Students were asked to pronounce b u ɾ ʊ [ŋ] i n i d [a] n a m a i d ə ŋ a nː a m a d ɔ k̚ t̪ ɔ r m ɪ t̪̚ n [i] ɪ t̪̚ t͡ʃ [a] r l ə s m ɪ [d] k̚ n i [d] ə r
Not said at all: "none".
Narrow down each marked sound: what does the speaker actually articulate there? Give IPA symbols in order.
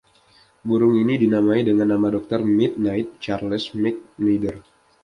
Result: ŋ, i, a, a, none, d

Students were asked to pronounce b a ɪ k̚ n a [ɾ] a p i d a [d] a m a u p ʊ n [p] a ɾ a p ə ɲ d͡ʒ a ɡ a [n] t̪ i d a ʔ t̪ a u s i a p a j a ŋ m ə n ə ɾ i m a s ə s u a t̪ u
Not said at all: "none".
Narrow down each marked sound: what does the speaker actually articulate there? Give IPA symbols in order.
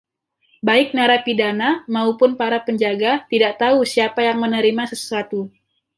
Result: ɾ, n, p, none

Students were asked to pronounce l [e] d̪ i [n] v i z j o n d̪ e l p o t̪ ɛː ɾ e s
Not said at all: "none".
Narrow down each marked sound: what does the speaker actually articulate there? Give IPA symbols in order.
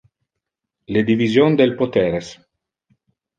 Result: e, none

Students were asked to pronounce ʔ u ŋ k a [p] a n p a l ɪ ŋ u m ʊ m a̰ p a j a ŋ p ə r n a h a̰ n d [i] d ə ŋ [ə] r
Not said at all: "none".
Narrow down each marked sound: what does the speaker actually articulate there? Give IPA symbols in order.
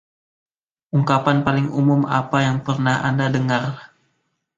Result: p, a, a

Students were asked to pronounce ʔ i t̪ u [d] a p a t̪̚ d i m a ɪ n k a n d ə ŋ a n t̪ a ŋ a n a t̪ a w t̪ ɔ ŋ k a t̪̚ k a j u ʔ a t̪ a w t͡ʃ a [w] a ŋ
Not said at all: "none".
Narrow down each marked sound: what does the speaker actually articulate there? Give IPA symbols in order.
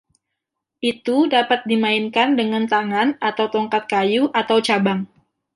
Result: d, b

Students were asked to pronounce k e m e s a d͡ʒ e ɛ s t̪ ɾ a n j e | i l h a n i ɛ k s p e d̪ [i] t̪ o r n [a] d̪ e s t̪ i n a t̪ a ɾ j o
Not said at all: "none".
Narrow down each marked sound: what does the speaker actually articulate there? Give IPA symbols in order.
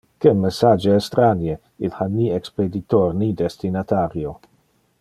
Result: i, i

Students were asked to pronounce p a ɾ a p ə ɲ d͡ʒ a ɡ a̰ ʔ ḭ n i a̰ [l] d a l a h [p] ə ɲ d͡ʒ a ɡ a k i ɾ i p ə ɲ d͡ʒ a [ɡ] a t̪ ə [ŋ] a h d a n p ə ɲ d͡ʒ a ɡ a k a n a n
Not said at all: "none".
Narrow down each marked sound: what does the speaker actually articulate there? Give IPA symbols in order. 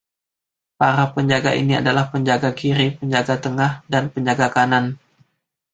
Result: none, p, ɡ, ŋ

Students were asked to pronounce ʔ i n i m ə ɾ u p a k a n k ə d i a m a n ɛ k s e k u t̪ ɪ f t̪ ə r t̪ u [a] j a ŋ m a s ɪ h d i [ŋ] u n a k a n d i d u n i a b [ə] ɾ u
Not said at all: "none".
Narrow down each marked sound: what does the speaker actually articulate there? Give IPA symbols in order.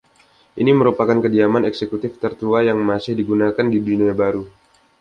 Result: a, ɡ, a

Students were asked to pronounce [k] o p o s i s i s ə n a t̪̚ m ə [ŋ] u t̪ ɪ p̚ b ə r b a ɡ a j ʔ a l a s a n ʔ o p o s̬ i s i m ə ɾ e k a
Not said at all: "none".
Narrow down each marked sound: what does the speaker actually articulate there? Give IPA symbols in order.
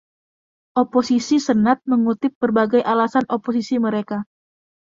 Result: ʔ, ŋ

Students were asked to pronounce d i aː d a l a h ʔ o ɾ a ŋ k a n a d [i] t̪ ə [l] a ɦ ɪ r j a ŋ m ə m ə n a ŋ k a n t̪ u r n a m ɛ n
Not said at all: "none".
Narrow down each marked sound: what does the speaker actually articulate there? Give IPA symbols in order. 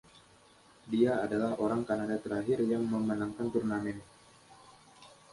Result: a, ɾ

